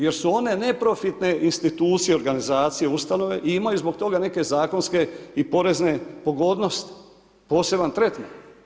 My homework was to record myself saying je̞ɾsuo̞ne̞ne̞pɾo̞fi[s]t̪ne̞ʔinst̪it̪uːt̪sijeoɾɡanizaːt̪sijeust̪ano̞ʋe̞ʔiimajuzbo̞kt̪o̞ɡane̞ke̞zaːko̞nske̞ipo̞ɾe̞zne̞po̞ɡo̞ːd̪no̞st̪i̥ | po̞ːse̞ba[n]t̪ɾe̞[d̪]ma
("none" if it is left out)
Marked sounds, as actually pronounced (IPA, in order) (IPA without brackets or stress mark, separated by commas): none, n, t̪